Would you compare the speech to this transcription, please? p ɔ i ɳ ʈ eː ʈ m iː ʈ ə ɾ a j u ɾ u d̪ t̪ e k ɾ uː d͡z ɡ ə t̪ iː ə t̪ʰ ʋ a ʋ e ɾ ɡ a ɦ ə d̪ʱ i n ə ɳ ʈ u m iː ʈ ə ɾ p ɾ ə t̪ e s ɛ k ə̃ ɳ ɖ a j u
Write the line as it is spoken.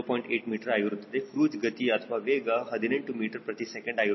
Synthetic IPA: p ɔ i ɳ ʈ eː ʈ m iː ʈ ə ɾ a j u ɾ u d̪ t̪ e k ɾ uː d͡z ɡ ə t̪ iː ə t̪ʰ ʋ a ʋ e ɡ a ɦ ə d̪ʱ i n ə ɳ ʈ u m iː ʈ ə ɾ p ɾ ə t̪ i s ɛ k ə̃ ɳ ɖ a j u